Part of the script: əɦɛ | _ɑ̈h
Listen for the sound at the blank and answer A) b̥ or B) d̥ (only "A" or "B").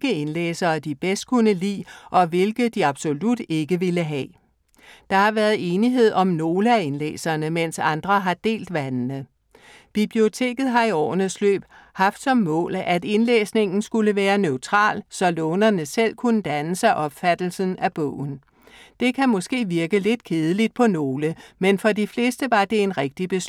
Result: B